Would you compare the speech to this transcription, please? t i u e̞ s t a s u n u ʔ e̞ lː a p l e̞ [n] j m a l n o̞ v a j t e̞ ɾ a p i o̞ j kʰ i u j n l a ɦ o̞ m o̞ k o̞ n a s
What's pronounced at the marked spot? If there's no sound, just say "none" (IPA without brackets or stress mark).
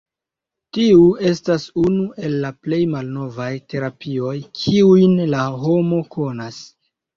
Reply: none